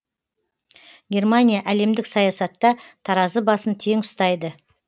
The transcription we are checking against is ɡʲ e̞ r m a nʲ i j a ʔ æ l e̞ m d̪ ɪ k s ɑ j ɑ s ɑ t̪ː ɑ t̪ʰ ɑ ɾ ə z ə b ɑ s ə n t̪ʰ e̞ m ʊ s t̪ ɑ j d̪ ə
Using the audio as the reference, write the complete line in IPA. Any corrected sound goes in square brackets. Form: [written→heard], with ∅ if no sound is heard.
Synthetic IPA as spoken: ɡʲ e̞ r m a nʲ i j a ʔ æ l e̞ m d̪ ɪ k s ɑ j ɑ s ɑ t̪ː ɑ t̪ʰ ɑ ɾ [ə→ɑ] z ə b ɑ s ə n t̪ʰ e̞ [m→ŋ] ʊ s t̪ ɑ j d̪ ə

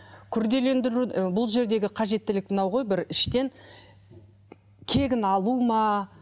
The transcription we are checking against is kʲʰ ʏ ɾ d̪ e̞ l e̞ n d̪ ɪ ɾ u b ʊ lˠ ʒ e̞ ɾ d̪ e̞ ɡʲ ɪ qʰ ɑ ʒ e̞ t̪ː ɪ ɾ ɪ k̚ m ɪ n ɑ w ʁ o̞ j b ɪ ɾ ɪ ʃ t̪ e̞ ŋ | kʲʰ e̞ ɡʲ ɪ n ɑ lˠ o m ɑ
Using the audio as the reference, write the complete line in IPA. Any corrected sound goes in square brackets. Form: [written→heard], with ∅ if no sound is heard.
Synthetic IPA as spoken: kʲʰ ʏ ɾ d̪ e̞ l e̞ n d̪ ɪ ɾ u b ʊ lˠ ʒ e̞ ɾ d̪ e̞ ɡʲ ɪ qʰ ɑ ʒ e̞ t̪ː ɪ [ɾ→l] ɪ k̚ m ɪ n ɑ w ʁ o̞ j b ɪ ɾ ɪ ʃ t̪ e̞ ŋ | kʲʰ e̞ ɡʲ ɪ n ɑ lˠ [o→u] m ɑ

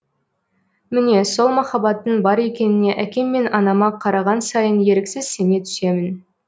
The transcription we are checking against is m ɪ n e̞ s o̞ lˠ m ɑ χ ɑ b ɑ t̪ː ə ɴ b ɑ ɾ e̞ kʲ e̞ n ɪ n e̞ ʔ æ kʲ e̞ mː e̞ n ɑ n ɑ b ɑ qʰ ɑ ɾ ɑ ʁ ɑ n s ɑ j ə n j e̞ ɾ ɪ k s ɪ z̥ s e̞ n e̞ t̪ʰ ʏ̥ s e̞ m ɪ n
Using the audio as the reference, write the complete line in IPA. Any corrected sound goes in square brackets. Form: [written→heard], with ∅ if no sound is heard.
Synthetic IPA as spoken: m ɪ n e̞ s o̞ lˠ m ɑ χ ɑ b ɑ t̪ː ə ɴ b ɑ ɾ e̞ kʲ e̞ n ɪ n e̞ ʔ æ kʲ e̞ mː e̞ n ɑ n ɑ [b→m] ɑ qʰ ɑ ɾ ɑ ʁ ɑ n s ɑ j ə n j e̞ ɾ ɪ k s ɪ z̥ s e̞ n e̞ t̪ʰ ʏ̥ s e̞ m ɪ n

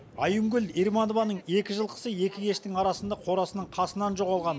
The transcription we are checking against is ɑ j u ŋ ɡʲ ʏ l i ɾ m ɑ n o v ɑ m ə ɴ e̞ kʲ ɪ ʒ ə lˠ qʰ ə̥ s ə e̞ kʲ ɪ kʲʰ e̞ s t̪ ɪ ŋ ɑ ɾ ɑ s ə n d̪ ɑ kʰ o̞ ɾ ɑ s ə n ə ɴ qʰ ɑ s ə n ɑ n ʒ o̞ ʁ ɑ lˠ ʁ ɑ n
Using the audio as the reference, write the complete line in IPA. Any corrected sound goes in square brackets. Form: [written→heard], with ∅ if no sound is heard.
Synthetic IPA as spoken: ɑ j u ŋ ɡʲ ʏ l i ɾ m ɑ n o v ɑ [m→n] ə ɴ e̞ kʲ ɪ ʒ ə lˠ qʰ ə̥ s ə e̞ kʲ ɪ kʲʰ e̞ [s→ʃ] t̪ ɪ ŋ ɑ ɾ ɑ s ə n d̪ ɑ [kʰ→qʰ] o̞ ɾ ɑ s ə n ə ɴ qʰ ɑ s ə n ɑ n ʒ o̞ ʁ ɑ lˠ ʁ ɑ n

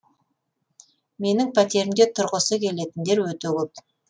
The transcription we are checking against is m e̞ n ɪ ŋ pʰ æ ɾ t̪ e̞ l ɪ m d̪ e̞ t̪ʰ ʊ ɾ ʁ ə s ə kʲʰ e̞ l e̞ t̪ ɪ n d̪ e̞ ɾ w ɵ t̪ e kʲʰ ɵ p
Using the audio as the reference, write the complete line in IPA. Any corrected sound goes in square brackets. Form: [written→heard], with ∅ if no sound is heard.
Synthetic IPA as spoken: m e̞ n ɪ ŋ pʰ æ [ɾ→∅] t̪ e̞ [l→ɾ] ɪ m d̪ e̞ t̪ʰ ʊ ɾ ʁ ə s ə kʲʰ e̞ l e̞ t̪ ɪ n d̪ e̞ ɾ w ɵ t̪ e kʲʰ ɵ p

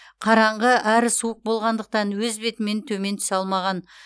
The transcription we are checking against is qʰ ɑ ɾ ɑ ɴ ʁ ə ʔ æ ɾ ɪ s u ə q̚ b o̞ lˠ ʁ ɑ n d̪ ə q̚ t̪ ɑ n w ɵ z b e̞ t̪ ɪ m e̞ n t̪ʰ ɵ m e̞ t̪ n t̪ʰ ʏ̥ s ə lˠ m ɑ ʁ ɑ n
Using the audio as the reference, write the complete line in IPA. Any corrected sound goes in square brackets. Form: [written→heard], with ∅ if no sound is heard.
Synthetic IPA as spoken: qʰ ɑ ɾ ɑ ɴ ʁ ə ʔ æ ɾ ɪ s u ə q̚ b o̞ lˠ ʁ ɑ n d̪ ə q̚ t̪ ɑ n w ɵ z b e̞ t̪ ɪ m e̞ n t̪ʰ ɵ m e̞ [t̪→∅] n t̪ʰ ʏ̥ s [ə→ɑ] lˠ m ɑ ʁ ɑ n

